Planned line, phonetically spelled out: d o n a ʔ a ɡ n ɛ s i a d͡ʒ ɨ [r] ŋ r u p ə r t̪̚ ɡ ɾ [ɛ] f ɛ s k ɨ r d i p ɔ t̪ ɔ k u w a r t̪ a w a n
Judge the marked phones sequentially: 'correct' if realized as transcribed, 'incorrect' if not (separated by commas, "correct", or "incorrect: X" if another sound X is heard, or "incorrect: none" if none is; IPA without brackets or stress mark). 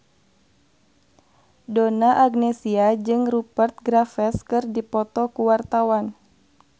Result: incorrect: none, incorrect: a